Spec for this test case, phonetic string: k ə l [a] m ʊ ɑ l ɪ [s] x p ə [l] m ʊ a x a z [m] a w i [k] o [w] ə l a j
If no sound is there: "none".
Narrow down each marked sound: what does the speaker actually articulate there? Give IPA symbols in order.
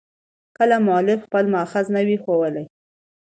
a, f, l, n, x, w

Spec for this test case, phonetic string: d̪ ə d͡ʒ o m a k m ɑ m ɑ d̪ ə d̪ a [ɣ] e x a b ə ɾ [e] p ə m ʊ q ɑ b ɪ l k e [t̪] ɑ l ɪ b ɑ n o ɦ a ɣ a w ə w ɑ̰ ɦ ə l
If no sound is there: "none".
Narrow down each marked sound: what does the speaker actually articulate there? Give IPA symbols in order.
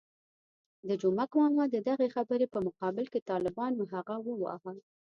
ɣ, e, t̪

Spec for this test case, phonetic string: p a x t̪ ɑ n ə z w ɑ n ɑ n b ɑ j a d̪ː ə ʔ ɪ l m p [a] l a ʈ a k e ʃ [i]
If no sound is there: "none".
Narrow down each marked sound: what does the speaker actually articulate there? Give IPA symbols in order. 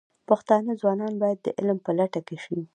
ə, i

